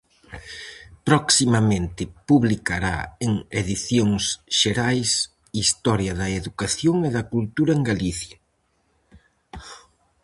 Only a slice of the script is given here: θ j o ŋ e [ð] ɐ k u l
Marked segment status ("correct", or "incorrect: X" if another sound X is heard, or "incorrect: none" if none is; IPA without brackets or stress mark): correct